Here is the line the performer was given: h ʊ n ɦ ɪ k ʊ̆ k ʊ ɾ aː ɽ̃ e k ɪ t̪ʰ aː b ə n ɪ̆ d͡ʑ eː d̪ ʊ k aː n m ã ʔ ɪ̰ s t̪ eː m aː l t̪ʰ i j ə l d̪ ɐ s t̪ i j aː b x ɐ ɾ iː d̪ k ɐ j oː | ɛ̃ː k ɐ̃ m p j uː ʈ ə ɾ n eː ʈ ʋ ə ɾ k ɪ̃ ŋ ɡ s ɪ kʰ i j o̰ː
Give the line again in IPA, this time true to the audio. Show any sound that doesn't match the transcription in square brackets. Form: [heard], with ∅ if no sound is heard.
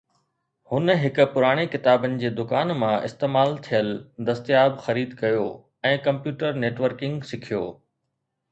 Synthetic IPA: h ʊ n ɦ ɪ k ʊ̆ [p] ʊ ɾ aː ɽ̃ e k ɪ [t̪] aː b ə n ɪ̆ d͡ʑ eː d̪ ʊ k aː n m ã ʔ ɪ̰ s t̪ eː m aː l t̪ʰ i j ə l d̪ ɐ s t̪ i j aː b x ɐ ɾ iː d̪ k ɐ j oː | ɛ̃ː k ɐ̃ m p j uː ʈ ə ɾ n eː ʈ ʋ ə ɾ k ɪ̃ ŋ ɡ s ɪ kʰ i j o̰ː

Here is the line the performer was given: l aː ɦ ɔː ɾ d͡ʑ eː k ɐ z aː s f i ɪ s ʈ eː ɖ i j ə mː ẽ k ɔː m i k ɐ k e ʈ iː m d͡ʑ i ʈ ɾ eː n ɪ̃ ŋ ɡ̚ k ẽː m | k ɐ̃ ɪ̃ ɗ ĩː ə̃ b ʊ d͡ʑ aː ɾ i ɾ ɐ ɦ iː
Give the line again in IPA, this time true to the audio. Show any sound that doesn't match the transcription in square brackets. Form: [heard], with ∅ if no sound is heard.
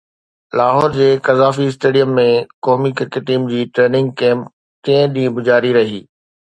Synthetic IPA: l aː ɦ ɔː ɾ d͡ʑ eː k ɐ z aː [∅] f i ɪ s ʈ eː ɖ i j ə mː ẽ k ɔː m i k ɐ k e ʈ iː m d͡ʑ [iː] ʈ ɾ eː n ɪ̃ ŋ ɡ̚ k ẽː m | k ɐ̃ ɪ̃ ɗ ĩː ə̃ b ʊ d͡ʑ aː ɾ i ɾ ɐ ɦ iː

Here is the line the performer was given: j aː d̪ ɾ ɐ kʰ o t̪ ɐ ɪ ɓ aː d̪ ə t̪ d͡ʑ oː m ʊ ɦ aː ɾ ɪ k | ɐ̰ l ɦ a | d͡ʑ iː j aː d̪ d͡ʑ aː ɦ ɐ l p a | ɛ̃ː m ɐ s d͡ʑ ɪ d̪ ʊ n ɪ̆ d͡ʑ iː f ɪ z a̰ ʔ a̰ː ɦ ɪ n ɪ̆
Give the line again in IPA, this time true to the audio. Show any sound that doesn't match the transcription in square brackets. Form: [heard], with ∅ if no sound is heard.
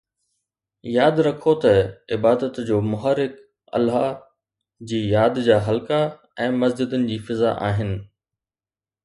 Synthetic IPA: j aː d̪ ɾ ɐ kʰ o t̪ ɐ ɪ [b] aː d̪ ə t̪ d͡ʑ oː m ʊ ɦ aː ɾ ɪ k | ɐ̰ l ɦ a | d͡ʑ iː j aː d̪ d͡ʑ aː ɦ ɐ l [k] a | ɛ̃ː m ɐ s d͡ʑ ɪ d̪ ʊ n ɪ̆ d͡ʑ iː f ɪ z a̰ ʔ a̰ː ɦ ɪ n ɪ̆

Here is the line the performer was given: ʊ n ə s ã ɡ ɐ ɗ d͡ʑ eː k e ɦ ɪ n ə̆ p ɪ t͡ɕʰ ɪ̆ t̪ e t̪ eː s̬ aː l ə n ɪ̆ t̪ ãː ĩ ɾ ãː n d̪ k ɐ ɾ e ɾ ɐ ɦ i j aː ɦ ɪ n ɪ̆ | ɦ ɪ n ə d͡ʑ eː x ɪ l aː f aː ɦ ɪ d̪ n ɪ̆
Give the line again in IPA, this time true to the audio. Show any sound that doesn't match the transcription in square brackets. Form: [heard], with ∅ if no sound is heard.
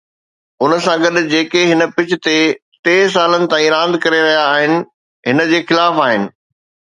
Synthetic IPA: ʊ n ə s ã ɡ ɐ ɗ d͡ʑ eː k e ɦ ɪ n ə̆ p ɪ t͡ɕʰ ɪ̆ t̪ e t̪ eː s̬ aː l ə n ɪ̆ t̪ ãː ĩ ɾ ãː n d̪ k ɐ ɾ e ɾ ɐ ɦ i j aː ɦ ɪ n ɪ̆ | ɦ ɪ n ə d͡ʑ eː x ɪ l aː f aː ɦ ɪ [∅] n ɪ̆

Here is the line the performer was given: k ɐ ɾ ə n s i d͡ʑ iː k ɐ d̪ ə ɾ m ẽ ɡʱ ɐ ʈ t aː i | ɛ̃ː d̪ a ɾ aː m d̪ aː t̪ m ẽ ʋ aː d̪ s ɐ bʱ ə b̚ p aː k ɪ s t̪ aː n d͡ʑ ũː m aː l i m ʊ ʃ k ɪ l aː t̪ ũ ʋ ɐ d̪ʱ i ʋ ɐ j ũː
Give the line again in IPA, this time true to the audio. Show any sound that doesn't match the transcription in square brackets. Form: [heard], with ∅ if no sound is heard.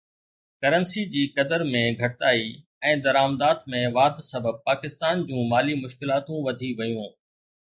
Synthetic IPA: k ɐ ɾ ə n s i d͡ʑ iː k ɐ d̪ ə ɾ m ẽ ɡʱ ɐ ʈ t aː i | ɛ̃ː d̪ [ɐ] ɾ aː m d̪ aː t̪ m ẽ ʋ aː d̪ s ɐ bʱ ə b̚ p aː k ɪ s t̪ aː n d͡ʑ ũː m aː l i m ʊ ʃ k ɪ l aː t̪ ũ ʋ ɐ d̪ʱ i ʋ ɐ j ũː

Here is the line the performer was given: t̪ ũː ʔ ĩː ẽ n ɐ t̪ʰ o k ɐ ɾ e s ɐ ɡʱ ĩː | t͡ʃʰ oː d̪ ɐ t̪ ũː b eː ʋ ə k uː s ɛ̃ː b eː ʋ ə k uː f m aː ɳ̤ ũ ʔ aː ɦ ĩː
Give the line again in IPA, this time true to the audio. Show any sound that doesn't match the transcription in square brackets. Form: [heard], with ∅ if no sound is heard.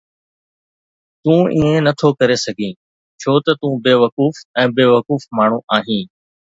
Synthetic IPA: t̪ ũː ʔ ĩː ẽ n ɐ t̪ʰ o k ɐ ɾ e s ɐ ɡʱ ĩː | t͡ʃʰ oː [t̪] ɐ t̪ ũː b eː ʋ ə k uː [f] ɛ̃ː b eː ʋ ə k uː f m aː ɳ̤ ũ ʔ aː ɦ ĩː

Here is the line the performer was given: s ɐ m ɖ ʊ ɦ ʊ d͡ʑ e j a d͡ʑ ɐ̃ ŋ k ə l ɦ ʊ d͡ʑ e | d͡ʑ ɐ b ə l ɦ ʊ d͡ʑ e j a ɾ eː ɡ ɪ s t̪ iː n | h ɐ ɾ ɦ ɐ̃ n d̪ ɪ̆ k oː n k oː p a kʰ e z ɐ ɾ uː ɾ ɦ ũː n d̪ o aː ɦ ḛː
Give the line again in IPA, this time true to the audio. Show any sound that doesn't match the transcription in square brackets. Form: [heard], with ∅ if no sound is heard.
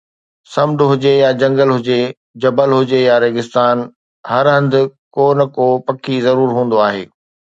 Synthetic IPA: s ɐ m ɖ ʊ ɦ ʊ d͡ʑ e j a d͡ʑ ɐ̃ ŋ [ɡ] ə l ɦ ʊ d͡ʑ e | d͡ʑ ɐ b ə l ɦ ʊ d͡ʑ e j a ɾ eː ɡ ɪ s t̪ [aː] n | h ɐ ɾ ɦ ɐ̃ n d̪ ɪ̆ k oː n k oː p [ɐ] kʰ [i] z ɐ ɾ uː ɾ ɦ ũː n d̪ o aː ɦ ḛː

